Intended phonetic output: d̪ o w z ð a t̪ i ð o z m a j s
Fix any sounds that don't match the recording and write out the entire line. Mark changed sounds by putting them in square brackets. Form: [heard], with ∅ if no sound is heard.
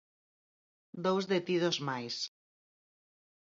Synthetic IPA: d̪ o w z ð [e] t̪ i ð o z m a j s